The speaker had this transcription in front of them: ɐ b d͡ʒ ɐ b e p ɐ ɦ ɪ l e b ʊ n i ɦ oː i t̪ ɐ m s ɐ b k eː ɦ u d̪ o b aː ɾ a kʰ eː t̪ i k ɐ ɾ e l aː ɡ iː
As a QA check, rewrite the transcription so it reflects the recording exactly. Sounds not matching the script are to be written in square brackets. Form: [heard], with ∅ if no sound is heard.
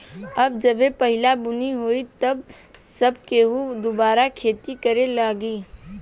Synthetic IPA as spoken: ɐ b d͡ʒ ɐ b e p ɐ ɦ ɪ l [a] b ʊ n i ɦ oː i t̪ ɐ [b] s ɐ b k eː ɦ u d̪ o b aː ɾ a kʰ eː t̪ i k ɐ ɾ e l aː ɡ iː